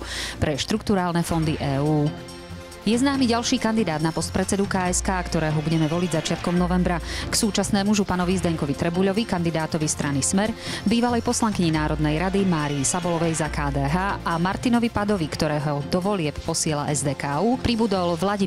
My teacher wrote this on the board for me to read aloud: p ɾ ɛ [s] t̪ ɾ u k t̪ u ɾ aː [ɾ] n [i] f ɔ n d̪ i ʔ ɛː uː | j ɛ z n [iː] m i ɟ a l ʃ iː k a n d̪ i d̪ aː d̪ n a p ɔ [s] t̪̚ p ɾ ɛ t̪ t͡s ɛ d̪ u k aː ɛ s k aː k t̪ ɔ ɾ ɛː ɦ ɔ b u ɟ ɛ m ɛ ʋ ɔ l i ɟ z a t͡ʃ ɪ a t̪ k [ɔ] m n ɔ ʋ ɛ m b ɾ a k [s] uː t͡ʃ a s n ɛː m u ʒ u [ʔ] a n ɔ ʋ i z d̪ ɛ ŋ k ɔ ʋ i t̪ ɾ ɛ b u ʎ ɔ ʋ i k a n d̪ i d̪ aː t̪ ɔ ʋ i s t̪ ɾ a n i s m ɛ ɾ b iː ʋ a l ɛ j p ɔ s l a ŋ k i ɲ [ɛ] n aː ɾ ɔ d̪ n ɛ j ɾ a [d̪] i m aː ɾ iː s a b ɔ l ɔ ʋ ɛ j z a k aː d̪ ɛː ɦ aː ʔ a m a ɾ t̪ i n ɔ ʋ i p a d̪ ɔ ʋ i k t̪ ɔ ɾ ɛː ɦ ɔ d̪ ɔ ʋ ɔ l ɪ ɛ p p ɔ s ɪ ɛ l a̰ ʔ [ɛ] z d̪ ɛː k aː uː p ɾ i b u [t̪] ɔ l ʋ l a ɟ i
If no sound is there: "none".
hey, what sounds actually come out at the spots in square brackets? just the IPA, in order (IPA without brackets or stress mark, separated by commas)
ʃ, l, ɛ, aː, s, ɔ, s, p, i, d̪, ɛ, d̪